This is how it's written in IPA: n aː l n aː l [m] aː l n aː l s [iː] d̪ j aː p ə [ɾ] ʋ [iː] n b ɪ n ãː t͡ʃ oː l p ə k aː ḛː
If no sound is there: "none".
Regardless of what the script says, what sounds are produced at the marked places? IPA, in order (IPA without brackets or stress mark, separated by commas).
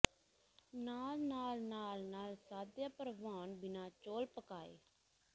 n, aː, ɾ, aː